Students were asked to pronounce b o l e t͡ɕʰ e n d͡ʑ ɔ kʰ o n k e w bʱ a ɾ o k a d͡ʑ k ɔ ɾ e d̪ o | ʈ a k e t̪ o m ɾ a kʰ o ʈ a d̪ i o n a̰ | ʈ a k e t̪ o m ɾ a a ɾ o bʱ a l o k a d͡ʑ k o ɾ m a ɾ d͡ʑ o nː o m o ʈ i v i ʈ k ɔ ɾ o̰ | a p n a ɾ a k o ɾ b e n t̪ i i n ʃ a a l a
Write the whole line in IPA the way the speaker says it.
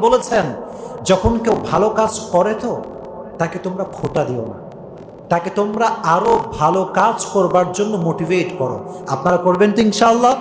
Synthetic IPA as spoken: b o l e t͡ɕʰ e n d͡ʑ ɔ kʰ o n k e w bʱ a l o k a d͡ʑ k ɔ ɾ e t̪ o | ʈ a k e t̪ o m ɾ a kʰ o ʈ a d̪ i o n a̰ | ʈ a k e t̪ o m ɾ a a ɾ o bʱ a l o k a d͡ʑ k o ɾ b a ɾ d͡ʑ o nː o m o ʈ i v e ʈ k ɔ ɾ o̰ | a p n a ɾ a k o ɾ b e n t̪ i i n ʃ a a lː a